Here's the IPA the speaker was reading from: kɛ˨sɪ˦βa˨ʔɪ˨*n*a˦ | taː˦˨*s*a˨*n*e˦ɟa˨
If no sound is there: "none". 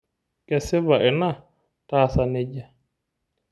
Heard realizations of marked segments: n, s, n

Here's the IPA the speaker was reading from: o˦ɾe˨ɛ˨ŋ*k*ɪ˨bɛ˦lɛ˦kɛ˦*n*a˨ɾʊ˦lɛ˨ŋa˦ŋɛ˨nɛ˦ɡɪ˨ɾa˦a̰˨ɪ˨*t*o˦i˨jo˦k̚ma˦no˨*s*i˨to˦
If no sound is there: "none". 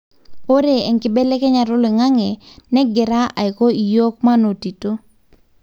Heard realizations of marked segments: k, ɲ, k, t

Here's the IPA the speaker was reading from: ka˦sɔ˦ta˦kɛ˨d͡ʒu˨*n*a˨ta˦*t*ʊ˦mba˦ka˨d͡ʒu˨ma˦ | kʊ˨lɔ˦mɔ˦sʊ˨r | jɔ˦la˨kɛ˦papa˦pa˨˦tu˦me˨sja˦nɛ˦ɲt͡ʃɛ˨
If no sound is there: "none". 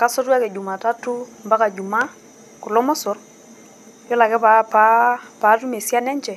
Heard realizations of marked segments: m, t

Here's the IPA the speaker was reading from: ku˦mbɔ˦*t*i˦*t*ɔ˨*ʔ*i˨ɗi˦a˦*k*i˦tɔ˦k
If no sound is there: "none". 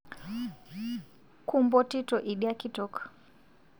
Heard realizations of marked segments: t, t, ʔ, k

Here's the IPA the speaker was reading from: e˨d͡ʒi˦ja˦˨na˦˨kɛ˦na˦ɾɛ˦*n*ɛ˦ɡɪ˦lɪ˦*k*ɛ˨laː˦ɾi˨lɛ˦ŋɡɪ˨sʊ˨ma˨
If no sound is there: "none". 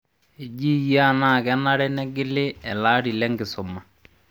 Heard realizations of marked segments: n, none

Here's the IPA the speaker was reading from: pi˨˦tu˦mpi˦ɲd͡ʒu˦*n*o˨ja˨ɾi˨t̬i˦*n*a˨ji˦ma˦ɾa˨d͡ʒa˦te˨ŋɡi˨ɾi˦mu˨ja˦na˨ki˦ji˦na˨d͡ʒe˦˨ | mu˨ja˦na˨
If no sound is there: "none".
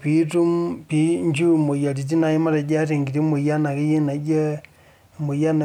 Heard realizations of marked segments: m, n

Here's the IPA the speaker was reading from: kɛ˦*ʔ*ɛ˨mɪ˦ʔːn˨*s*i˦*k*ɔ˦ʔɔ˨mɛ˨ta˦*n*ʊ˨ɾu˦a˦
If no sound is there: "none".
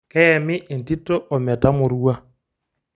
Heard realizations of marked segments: none, t, t, m

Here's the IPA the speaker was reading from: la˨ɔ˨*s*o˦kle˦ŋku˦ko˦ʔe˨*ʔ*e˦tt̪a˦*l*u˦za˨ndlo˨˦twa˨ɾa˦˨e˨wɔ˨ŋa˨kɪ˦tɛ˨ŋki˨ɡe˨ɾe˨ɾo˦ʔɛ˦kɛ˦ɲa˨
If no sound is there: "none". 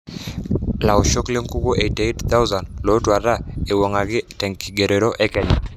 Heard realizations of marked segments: ʃ, t, none

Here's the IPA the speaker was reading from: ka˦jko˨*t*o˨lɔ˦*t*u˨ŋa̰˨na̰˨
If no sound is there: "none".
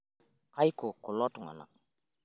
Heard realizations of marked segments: k, t

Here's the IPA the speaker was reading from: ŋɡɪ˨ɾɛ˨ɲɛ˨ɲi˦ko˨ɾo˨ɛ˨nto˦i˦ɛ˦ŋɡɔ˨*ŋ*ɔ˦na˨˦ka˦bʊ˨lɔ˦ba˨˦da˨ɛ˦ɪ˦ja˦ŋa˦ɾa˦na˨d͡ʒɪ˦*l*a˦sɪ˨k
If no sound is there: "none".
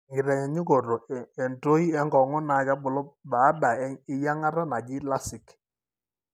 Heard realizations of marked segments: ŋ, l

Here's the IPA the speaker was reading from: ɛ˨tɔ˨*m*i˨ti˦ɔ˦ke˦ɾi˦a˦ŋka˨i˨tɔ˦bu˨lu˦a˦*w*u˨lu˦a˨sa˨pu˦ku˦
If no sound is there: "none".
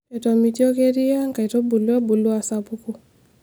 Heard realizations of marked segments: m, b

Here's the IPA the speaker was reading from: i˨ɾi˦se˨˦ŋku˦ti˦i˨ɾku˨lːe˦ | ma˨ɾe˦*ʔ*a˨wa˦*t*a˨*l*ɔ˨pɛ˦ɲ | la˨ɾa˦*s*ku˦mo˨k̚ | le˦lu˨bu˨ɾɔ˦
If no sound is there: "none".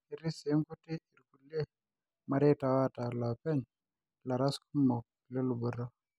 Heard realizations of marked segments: t, t, l, s

